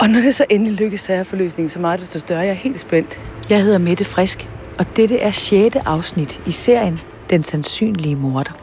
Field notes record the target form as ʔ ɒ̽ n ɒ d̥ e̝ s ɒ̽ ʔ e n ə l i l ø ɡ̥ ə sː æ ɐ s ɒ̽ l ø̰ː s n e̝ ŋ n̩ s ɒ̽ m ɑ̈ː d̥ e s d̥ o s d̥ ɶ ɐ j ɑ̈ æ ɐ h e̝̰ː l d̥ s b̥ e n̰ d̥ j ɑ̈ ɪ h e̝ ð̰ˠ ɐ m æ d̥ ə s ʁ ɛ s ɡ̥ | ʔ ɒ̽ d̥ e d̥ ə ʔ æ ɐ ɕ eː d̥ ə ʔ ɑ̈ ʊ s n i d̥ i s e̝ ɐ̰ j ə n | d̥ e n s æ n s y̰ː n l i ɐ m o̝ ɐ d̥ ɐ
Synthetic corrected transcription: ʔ ɒ̽ n ɒ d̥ e̝ s ɒ̽ ʔ e n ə l i l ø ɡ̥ ə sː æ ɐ f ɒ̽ l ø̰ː s n e̝ ŋ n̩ s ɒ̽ m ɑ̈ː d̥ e s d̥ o s d̥ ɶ ɐ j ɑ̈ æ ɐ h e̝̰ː l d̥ s b̥ e n̰ d̥ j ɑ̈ ɪ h e̝ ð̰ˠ ɐ m e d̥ ə f ʁ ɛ s ɡ̥ | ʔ ɒ̽ d̥ e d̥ ə ʔ æ ɐ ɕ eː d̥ ə ʔ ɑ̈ ʊ s n i d̥ i s e̝ ɐ̰ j ə n | d̥ e n s æ n s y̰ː n l i ə m o̝ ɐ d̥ ɐ